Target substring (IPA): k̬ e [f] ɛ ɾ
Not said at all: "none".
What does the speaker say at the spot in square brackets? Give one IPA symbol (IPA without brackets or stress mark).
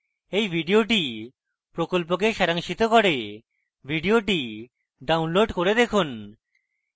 ʃ